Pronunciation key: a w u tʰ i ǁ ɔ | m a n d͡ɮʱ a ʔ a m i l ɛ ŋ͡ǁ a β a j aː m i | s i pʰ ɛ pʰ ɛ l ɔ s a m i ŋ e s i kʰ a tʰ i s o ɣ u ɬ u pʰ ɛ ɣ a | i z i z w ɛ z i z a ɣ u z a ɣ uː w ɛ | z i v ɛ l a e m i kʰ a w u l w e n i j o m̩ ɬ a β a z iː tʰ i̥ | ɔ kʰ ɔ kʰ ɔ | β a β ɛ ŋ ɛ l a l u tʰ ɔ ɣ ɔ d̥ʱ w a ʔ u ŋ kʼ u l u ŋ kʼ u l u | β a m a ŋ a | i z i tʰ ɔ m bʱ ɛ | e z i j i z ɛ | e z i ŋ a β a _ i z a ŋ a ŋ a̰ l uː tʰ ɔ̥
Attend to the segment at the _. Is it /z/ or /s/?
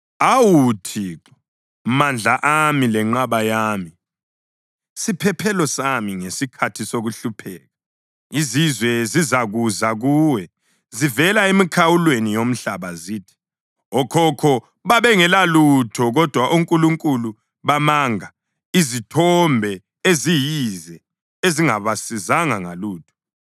s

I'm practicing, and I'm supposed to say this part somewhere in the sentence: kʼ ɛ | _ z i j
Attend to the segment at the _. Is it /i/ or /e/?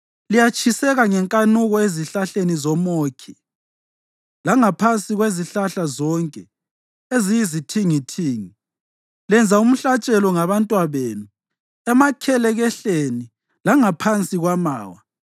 e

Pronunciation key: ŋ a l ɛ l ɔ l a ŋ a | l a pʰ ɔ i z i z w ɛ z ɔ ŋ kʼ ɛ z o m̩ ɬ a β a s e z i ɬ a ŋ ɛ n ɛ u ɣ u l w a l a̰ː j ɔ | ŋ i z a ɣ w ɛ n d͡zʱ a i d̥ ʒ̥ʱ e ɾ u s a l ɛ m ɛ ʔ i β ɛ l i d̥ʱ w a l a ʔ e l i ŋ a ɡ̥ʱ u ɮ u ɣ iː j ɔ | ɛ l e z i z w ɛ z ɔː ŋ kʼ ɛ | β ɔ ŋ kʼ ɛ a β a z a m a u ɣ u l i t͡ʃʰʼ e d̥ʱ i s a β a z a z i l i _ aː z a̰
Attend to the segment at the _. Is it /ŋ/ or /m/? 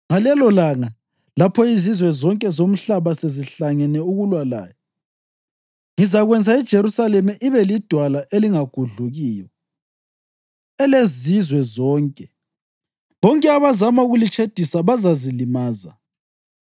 m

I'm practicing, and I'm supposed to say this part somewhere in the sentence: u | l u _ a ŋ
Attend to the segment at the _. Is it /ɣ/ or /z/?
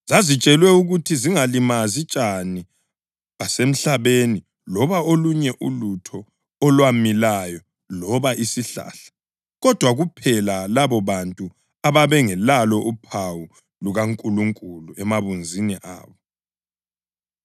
ɣ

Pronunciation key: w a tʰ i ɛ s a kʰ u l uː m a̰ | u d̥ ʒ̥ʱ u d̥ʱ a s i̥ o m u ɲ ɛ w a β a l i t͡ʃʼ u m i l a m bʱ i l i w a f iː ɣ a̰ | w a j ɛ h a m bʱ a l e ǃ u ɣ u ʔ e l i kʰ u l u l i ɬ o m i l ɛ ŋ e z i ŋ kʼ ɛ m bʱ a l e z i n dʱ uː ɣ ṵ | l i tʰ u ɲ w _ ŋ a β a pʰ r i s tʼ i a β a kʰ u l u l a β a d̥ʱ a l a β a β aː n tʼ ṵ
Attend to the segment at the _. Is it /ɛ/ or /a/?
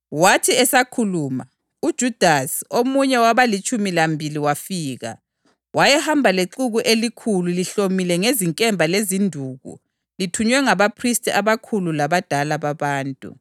ɛ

